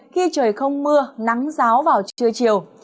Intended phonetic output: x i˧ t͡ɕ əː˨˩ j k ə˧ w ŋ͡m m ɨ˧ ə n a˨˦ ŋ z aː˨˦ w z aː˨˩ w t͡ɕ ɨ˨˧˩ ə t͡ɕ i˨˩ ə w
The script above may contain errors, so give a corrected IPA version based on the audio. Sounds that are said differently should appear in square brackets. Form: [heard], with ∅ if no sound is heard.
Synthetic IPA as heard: x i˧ t͡ɕ əː˨˩ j [x] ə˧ w ŋ͡m m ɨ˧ ə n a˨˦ ŋ z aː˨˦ w [v] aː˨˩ w t͡ɕ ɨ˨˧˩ ə t͡ɕ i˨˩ ə w

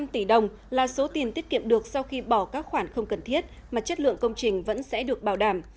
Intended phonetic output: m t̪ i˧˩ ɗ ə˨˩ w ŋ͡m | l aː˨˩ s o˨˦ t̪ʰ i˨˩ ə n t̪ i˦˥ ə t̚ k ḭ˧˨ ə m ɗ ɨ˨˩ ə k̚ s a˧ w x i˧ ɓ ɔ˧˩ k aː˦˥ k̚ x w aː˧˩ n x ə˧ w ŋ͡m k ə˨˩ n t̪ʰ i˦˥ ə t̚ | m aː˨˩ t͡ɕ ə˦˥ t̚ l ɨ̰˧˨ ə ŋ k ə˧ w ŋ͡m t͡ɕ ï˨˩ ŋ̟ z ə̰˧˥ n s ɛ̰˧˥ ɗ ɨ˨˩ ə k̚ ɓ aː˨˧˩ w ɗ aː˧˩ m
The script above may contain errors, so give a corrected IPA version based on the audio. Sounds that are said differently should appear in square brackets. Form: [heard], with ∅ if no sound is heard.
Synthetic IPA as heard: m t̪ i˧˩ ɗ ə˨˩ w ŋ͡m | l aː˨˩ s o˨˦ [t̪] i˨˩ ə n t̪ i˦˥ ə t̚ k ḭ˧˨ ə m ɗ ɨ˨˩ ə k̚ s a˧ w x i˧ ɓ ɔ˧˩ k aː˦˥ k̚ x w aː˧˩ n x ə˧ w ŋ͡m k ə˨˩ n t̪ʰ i˦˥ ə t̚ | m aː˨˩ t͡ɕ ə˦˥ t̚ l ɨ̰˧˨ ə ŋ k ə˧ w ŋ͡m t͡ɕ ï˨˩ ŋ̟ [v] ə̰˧˥ n s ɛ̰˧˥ ɗ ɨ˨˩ ə k̚ ɓ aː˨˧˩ w ɗ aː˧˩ m

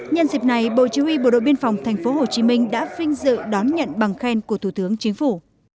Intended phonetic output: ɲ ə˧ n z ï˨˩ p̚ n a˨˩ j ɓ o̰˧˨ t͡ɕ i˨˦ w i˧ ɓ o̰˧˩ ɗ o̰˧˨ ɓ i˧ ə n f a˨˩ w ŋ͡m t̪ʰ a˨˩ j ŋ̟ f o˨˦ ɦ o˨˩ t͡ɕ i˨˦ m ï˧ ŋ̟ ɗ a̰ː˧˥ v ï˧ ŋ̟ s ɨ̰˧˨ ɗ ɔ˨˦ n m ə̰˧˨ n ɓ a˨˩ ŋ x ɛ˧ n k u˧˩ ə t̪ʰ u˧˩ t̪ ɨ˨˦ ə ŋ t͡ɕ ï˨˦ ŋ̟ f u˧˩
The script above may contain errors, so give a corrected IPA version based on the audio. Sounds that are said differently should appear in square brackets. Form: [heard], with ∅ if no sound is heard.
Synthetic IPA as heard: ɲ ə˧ n z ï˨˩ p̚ n a˨˩ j ɓ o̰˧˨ t͡ɕ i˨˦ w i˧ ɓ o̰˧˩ ɗ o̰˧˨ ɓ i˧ ə n f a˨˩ w ŋ͡m t̪ʰ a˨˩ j ŋ̟ f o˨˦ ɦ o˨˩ t͡ɕ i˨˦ m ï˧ ŋ̟ ɗ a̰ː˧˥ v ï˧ ŋ̟ [z] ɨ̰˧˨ ɗ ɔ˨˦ n [ɲ] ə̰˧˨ n ɓ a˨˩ ŋ x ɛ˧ n k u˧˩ ə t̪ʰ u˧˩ t̪ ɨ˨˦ ə ŋ t͡ɕ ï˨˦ ŋ̟ f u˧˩

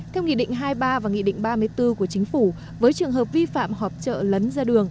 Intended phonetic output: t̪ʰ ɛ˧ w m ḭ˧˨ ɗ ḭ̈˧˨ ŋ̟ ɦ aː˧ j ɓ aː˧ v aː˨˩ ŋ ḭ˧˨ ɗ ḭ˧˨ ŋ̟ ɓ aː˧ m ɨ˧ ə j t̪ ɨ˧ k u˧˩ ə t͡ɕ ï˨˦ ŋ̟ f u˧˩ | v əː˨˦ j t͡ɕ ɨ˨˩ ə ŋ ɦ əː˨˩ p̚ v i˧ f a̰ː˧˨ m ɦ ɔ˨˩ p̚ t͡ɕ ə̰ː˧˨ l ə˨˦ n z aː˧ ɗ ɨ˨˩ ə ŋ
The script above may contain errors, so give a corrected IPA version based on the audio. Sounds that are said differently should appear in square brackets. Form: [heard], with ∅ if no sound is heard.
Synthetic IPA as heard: t̪ʰ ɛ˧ w [ŋ] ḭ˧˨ ɗ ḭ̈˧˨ ŋ̟ ɦ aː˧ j ɓ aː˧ v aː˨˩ ŋ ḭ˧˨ ɗ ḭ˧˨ ŋ̟ ɓ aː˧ m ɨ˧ ə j t̪ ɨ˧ k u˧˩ ə t͡ɕ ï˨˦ ŋ̟ f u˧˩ | v əː˨˦ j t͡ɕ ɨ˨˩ ə ŋ ɦ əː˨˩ p̚ v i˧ f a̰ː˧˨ m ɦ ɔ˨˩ p̚ t͡ɕ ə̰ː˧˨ l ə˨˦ n z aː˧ ɗ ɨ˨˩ ə ŋ

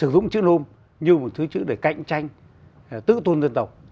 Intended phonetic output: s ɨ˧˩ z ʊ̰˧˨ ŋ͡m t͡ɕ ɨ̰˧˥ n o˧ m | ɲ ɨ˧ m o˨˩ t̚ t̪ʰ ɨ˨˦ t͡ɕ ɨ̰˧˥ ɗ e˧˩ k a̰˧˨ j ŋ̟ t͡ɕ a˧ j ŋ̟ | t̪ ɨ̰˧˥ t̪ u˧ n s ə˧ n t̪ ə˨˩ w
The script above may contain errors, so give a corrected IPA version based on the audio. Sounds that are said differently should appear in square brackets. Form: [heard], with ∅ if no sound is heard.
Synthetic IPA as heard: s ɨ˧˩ z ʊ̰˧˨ ŋ͡m t͡ɕ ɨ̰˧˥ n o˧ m | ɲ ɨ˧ m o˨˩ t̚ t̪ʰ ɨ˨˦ t͡ɕ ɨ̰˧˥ ɗ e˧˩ k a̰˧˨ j ŋ̟ t͡ɕ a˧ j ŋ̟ | t̪ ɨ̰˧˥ t̪ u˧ n [z] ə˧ n t̪ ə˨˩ w

